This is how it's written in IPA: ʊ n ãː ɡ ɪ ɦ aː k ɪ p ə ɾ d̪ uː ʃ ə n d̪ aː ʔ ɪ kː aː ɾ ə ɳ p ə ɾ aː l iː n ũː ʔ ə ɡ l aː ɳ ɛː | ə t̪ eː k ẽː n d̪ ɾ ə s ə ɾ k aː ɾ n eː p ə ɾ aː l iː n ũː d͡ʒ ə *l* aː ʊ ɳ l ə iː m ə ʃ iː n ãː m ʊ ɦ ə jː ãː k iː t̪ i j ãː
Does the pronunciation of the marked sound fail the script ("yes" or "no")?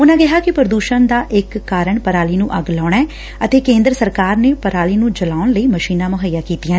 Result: no